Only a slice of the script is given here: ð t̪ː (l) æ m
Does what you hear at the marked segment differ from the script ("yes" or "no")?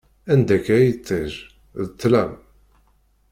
no